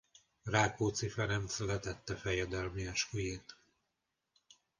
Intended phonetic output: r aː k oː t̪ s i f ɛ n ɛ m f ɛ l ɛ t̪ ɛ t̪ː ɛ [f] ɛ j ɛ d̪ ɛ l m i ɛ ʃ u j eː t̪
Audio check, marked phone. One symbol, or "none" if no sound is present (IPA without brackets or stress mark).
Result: f